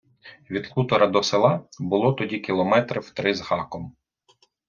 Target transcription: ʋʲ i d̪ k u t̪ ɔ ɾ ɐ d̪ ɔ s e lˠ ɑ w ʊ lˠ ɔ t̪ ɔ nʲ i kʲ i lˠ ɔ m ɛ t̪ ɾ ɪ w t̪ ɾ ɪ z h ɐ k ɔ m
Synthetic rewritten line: ʋʲ i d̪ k u t̪ ɔ ɾ ɐ d̪ ɔ s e lˠ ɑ b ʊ lˠ ɔ t̪ ɔ dʲ i kʲ i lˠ ɔ m ɛ t̪ ɾ ɪ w t̪ ɾ ɪ z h ɑ k ɔ m